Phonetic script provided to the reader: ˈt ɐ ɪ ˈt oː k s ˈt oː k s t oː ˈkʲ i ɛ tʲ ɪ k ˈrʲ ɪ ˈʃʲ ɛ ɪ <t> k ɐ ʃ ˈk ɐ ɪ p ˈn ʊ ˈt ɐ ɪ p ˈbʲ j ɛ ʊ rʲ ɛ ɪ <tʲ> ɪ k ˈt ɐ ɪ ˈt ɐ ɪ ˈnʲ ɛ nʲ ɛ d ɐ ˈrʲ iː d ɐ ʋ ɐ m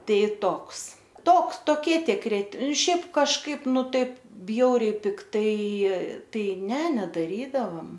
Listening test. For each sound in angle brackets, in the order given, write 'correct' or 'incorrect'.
incorrect: p, incorrect: pʲ

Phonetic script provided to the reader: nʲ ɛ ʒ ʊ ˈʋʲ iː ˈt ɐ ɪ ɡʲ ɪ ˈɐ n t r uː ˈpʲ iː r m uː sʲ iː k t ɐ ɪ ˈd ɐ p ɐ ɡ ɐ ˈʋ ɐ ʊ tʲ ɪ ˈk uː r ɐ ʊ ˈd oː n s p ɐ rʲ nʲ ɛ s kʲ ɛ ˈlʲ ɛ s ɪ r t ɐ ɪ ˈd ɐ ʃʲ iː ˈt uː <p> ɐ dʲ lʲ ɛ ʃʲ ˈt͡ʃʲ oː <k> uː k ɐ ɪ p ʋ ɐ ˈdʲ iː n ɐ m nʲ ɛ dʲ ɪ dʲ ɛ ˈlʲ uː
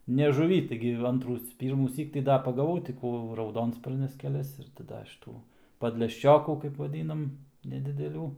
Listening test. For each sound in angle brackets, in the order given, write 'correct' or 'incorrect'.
correct, correct

